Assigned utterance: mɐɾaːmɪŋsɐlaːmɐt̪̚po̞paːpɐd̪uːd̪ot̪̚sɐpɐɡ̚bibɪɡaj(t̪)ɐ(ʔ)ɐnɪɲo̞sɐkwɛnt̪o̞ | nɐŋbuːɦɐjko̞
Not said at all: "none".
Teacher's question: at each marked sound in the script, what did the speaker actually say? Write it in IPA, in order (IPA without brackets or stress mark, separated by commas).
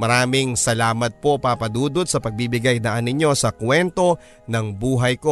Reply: d̪, ʔ